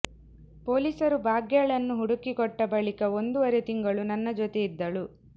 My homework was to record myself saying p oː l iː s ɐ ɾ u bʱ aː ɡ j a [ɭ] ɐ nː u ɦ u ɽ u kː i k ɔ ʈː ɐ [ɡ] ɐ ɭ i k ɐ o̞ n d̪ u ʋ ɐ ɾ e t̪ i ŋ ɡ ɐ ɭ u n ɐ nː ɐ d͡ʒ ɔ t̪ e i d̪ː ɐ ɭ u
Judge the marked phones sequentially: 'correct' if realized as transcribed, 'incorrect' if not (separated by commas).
correct, incorrect